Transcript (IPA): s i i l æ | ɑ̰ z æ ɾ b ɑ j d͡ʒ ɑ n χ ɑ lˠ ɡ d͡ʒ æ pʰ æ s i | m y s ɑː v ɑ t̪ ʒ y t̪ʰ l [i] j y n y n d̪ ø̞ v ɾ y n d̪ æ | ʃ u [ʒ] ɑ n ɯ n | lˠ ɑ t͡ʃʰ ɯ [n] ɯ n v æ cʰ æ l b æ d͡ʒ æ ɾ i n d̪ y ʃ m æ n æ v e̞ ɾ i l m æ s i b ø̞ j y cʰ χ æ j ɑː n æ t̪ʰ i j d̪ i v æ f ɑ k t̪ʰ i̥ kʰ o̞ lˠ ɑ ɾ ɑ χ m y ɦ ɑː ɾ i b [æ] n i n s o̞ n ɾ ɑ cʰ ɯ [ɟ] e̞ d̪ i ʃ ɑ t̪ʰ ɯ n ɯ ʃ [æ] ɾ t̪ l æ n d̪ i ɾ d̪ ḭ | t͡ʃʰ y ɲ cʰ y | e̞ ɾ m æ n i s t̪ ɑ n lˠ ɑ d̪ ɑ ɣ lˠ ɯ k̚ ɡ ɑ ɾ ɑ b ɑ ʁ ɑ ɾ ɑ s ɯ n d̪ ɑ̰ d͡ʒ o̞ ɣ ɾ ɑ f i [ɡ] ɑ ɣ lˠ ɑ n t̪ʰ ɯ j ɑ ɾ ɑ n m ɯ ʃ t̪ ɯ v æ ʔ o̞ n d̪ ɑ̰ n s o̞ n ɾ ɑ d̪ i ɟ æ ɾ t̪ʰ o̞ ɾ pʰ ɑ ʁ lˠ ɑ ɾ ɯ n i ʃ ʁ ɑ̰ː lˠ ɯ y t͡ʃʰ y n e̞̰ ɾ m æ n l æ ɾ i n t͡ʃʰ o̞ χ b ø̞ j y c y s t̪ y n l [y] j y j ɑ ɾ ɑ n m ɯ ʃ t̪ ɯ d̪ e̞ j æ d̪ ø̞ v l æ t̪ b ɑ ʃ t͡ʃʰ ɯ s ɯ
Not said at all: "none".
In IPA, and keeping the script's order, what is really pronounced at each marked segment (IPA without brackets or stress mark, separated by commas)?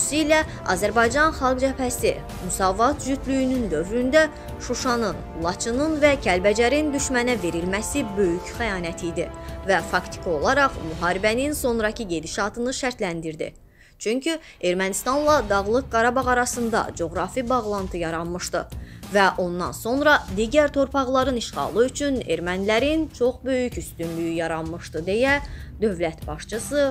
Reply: y, ʃ, n, æ, ɟ, æ, b, y